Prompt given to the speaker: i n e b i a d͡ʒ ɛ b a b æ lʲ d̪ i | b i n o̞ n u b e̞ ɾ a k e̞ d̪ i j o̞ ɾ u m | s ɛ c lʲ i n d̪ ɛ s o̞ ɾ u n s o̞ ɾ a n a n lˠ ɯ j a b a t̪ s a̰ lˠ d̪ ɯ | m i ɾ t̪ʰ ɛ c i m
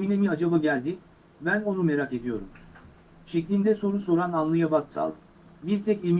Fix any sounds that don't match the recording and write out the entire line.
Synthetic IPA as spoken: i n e m i a d͡ʒ a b a ɟ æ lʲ d̪ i | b æ n o̞ n u m e̞ ɾ a k e̞ d̪ i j o̞ ɾ u m | ʃ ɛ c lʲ i n d̪ ɛ s o̞ ɾ u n s o̞ ɾ a n a n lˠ ɯ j a b a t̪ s a̰ lˠ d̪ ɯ | b i ɾ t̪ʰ ɛ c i m